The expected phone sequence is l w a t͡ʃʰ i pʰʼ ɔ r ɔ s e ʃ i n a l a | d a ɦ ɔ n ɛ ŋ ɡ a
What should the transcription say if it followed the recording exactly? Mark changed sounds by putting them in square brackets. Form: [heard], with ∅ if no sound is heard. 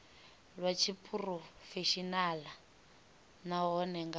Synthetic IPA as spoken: l w a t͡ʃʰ i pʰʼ [u] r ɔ [f] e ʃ i n a l a | [n] a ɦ ɔ n ɛ ŋ ɡ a

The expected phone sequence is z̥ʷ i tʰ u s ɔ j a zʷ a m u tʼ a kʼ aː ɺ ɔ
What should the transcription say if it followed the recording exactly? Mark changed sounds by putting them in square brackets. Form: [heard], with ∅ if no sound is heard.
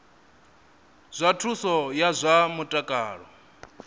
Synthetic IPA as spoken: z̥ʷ [a] tʰ u s ɔ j a zʷ a m u tʼ a kʼ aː ɺ ɔ

